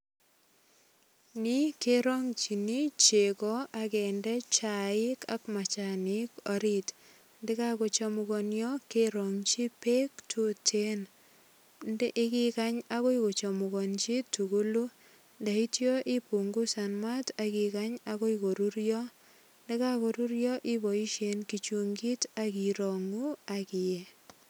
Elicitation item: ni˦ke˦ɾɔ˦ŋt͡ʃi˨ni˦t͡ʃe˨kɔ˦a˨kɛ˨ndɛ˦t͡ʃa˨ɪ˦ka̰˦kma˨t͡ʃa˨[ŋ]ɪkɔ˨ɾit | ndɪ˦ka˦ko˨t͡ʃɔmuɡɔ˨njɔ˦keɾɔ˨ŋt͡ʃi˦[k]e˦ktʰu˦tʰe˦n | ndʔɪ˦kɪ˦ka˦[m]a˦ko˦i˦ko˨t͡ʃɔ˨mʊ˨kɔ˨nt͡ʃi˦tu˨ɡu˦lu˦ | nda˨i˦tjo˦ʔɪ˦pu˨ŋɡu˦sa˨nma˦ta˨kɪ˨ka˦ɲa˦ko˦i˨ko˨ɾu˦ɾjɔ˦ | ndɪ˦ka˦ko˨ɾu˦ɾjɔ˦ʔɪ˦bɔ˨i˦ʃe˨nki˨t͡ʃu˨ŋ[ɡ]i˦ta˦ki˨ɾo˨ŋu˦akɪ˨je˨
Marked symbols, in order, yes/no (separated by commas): no, no, no, yes